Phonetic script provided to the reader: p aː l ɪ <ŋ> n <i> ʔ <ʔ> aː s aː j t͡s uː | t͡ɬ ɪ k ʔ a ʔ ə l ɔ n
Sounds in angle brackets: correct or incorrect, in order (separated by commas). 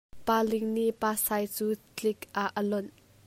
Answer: correct, correct, incorrect